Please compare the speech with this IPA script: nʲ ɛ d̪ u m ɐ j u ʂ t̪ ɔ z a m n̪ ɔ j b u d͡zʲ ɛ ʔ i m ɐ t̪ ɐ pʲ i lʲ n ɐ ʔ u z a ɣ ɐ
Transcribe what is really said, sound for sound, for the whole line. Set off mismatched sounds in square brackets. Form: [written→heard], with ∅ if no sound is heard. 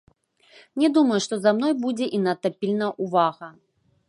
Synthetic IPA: nʲ ɛ d̪ u m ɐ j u ʂ t̪ ɔ z a m n̪ ɔ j b u d͡zʲ ɛ ʔ i [m→n] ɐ t̪ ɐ pʲ i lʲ n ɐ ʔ u [z→v] a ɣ ɐ